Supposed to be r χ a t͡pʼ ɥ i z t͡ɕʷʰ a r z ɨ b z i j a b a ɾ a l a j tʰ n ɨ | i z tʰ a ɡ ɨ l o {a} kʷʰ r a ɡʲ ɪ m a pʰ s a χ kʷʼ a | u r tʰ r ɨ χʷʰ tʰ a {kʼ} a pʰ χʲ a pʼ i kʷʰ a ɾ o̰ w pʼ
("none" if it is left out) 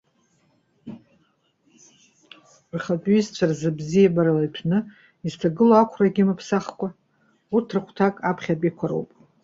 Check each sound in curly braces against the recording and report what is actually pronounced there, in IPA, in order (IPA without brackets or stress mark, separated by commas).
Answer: a, kʼ